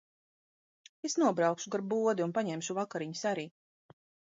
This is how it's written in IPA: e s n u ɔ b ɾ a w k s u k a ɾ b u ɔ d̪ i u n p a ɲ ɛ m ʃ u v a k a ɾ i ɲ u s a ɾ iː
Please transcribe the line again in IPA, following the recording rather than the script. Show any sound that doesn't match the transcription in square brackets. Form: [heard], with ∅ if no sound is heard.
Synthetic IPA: e s n u ɔ b ɾ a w k [ʃ] u [ɡ] a ɾ b u ɔ d̪ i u n p a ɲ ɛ m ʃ u v a k a ɾ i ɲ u s a ɾ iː